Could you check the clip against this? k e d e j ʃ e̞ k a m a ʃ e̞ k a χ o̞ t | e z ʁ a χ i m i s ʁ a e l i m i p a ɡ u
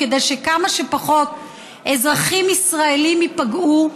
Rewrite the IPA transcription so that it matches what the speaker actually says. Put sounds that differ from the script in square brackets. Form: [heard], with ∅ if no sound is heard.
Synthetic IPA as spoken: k e d e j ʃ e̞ k a m a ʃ e̞ [p] a χ o̞ t | e z ʁ a χ i m i s ʁ a e l i m i p a ɡ u